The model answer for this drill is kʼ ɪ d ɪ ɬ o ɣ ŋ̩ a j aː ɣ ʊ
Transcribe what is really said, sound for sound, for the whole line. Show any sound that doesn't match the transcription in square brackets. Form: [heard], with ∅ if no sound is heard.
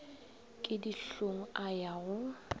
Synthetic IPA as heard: kʼ ɪ d [i] ɬ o [∅] ŋ̩ a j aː ɣ ʊ